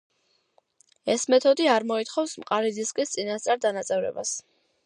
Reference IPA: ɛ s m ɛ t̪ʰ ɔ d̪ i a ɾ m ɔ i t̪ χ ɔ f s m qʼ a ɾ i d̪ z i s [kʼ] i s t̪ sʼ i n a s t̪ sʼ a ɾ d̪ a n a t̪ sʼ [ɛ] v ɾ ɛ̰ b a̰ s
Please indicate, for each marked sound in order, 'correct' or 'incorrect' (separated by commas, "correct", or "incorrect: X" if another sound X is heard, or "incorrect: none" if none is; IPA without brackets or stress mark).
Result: correct, correct